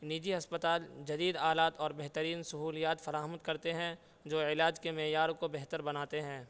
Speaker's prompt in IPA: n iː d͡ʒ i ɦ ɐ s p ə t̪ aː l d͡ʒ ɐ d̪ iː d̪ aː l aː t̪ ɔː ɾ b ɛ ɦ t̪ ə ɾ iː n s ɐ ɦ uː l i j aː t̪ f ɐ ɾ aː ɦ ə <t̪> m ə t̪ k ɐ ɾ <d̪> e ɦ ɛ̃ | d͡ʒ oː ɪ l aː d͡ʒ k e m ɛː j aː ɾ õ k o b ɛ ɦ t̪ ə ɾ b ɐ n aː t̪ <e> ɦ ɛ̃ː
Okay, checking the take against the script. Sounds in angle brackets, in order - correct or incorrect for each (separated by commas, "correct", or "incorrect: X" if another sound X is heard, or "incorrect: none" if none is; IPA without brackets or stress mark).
incorrect: none, incorrect: t̪, correct